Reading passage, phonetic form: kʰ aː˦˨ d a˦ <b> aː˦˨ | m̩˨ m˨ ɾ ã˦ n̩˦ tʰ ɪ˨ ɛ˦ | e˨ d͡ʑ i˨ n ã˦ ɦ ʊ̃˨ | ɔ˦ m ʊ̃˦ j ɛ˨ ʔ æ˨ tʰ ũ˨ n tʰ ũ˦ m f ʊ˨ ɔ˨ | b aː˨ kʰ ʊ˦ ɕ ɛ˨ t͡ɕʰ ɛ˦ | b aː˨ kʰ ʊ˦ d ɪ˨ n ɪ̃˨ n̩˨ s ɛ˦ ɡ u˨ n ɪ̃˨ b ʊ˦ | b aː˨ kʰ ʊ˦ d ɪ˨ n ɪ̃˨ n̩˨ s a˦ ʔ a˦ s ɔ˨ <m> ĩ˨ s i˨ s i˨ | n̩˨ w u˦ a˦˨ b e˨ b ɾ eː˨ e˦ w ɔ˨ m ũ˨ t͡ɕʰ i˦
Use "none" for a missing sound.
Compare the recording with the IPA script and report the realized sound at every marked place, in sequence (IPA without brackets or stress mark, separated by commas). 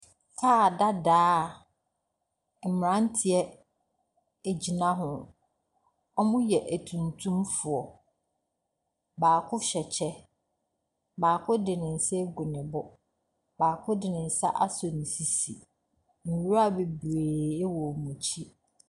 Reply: d, n